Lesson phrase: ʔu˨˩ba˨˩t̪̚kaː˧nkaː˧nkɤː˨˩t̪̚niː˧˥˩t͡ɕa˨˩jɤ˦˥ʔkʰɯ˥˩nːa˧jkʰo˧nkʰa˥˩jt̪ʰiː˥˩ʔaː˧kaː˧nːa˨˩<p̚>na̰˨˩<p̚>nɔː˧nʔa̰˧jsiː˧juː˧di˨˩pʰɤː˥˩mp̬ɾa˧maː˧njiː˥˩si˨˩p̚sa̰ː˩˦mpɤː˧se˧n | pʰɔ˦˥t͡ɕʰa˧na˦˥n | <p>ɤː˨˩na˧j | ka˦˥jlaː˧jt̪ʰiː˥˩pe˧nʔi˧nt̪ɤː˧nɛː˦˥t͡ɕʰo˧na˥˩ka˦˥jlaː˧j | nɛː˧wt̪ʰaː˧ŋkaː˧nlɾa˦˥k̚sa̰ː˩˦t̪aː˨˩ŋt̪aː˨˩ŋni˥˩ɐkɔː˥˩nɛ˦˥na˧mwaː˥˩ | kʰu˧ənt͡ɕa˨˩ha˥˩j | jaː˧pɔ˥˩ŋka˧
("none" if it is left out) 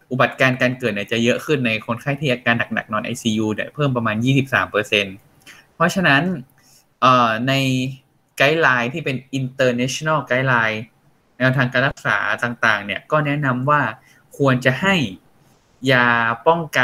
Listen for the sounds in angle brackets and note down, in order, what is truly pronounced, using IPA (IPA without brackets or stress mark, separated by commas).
k̚, k̚, ʔ